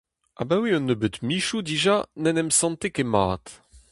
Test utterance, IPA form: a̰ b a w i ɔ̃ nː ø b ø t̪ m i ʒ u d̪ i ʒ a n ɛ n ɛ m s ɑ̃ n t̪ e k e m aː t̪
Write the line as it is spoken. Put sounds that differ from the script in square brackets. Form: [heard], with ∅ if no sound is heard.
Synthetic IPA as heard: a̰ b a w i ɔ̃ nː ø b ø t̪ m i [ʃ] u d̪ i ʒ a n ɛ n ɛ m s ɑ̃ n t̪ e k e m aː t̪